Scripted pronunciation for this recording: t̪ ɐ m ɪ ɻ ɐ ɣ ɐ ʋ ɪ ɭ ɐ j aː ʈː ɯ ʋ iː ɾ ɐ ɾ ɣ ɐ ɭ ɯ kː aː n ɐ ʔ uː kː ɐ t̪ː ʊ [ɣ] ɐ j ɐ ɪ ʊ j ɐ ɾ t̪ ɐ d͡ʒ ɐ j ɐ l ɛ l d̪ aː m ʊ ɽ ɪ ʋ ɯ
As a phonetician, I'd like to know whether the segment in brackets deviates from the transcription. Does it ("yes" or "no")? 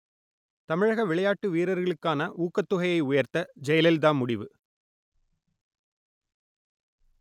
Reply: no